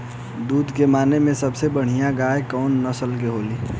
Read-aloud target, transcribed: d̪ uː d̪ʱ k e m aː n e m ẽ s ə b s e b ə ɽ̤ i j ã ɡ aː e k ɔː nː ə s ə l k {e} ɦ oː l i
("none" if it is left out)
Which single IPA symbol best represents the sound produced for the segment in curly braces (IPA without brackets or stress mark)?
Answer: e